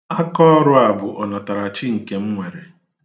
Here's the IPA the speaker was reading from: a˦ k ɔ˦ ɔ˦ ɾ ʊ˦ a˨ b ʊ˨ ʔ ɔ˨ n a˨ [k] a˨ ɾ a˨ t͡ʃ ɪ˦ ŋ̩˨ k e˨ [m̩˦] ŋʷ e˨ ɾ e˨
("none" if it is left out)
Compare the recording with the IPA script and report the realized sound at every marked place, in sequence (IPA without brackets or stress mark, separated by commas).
t, m̩˦